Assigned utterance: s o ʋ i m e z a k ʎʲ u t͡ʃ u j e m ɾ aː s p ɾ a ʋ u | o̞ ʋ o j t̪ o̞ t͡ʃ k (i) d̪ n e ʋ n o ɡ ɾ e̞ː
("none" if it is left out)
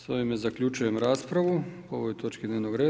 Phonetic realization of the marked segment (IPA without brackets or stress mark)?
i